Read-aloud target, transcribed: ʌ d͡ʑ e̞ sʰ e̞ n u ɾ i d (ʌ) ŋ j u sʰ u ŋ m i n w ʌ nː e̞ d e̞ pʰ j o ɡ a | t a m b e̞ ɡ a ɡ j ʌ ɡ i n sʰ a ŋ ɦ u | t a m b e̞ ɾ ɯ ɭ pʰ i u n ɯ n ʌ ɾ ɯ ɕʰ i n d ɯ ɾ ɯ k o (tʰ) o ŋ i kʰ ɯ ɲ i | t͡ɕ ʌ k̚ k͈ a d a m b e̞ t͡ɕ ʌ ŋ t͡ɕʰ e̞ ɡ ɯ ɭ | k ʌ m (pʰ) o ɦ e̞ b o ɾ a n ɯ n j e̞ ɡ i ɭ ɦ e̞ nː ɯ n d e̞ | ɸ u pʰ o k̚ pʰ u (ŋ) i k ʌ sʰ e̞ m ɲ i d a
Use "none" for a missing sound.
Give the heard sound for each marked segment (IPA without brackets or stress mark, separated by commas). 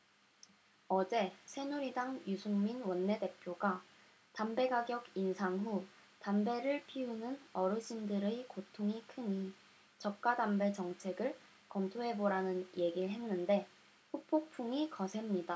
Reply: a, tʰ, tʰ, ŋ